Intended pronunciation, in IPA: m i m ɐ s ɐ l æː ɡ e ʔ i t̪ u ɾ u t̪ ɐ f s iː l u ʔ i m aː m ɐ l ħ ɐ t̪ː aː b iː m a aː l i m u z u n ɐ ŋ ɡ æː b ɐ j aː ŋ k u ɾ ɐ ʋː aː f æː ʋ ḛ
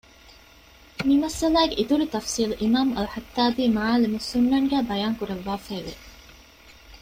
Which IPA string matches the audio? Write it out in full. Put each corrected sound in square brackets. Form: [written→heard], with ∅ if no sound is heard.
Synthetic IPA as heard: m i m ɐ s ɐ l æː ɡ e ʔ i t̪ u ɾ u t̪ ɐ f s iː l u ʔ i m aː m ɐ l ħ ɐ t̪ː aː b iː m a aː l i m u [z→s] u [n→nː] ɐ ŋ ɡ æː b ɐ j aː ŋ k u ɾ ɐ ʋː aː f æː ʋ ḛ